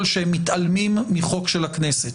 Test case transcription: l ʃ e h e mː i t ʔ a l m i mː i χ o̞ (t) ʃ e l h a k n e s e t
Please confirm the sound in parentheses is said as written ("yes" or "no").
no